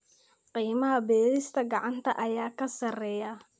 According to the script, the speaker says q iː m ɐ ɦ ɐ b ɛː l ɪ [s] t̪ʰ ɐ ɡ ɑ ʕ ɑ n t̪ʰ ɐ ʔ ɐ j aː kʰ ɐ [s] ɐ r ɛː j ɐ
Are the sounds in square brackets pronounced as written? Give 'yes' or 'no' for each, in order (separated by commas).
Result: yes, yes